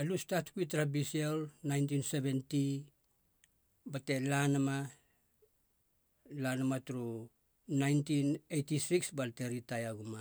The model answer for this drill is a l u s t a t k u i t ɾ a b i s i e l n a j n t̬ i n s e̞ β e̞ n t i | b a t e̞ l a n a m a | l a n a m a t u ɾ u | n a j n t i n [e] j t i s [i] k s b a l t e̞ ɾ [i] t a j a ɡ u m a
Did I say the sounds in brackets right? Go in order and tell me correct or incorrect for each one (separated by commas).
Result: correct, correct, correct